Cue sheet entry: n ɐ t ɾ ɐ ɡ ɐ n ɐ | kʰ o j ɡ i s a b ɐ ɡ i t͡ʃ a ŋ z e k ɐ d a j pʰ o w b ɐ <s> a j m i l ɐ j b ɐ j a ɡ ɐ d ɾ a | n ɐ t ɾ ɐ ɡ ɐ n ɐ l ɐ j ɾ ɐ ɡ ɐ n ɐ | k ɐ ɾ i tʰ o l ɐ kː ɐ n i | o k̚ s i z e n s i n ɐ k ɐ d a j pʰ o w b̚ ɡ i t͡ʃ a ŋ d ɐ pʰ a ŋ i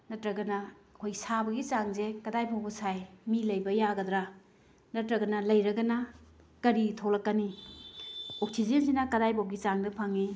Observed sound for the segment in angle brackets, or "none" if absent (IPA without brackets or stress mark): s